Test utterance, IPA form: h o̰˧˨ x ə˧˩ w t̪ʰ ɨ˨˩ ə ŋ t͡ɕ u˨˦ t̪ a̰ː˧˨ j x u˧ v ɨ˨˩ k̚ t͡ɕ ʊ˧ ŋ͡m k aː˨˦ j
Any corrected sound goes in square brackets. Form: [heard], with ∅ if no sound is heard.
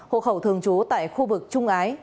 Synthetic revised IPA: h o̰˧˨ x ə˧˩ w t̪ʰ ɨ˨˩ ə ŋ t͡ɕ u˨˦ t̪ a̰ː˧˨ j x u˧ v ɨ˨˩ k̚ t͡ɕ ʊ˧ ŋ͡m [ʔ] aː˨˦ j